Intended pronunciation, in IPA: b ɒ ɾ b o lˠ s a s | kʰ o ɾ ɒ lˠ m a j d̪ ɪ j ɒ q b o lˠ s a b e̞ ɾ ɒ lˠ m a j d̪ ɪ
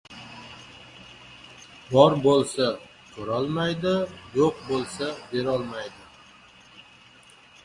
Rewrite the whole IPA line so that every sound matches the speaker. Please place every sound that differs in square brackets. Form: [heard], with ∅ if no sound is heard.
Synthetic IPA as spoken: b ɒ ɾ b o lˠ s a [∅] | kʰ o ɾ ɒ lˠ m a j d̪ ɪ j [o] q b o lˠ s a b e̞ ɾ ɒ lˠ m a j d̪ ɪ